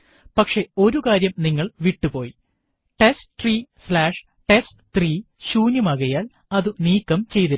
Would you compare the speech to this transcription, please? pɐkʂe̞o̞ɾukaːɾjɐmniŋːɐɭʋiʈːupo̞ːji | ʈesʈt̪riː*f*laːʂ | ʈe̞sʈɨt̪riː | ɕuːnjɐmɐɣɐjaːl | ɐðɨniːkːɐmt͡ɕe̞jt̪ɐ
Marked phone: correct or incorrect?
incorrect